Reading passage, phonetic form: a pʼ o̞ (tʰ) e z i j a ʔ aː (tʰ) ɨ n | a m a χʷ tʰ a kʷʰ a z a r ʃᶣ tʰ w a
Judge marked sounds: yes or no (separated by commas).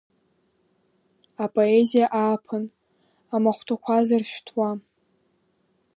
no, no